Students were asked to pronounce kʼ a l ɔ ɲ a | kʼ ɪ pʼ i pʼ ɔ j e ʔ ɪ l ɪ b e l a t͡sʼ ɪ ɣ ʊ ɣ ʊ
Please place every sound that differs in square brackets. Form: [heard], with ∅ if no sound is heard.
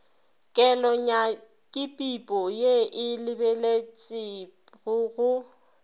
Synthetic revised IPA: kʼ [ɛ] l ɔ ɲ a | kʼ ɪ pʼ i pʼ ɔ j e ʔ ɪ l ɪ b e l [e] t͡sʼ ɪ ɣ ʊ ɣ ʊ